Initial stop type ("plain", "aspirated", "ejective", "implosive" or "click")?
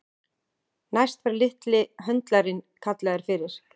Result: plain